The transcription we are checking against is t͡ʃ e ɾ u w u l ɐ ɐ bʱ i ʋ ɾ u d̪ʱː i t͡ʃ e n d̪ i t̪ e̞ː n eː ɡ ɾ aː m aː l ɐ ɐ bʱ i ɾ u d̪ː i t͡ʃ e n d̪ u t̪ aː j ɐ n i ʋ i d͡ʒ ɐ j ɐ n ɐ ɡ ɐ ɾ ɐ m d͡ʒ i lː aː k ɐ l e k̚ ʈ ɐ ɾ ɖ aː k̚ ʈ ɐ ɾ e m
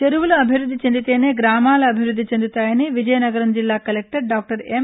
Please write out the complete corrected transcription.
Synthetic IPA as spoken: t͡ʃ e ɾ u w u l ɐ ɐ bʱ i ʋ ɾ u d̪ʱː i t͡ʃ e n d̪ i t̪ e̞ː n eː ɡ ɾ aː m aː l ɐ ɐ bʱ i ɾ u d̪ː i t͡ʃ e n d̪ u t̪ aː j ɐ n i ʋ i d͡ʒ ɐ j ɐ n ɐ ɡ ɐ ɾ ɐ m d͡ʒ i lː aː k ɐ l e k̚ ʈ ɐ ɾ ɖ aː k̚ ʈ ɐ ɾ e m